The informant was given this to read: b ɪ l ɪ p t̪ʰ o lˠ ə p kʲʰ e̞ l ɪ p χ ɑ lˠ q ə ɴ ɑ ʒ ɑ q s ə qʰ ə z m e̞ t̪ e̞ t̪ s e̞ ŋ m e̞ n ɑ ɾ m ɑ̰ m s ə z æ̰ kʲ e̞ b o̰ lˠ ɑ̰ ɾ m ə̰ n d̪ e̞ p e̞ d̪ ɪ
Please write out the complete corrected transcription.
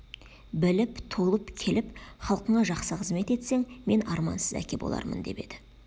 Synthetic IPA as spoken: b ɪ l ɪ p t̪ʰ o lˠ ə p kʲʰ e̞ l ɪ p χ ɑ lˠ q ə ɴ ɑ ʒ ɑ q s ə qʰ ə z m e̞ t̪ e̞ t̪ s e̞ ŋ m e̞ n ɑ ɾ m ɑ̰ n s ə z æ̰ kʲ e̞ b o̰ lˠ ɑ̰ ɾ m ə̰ n d̪ e̞ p e̞ d̪ ɪ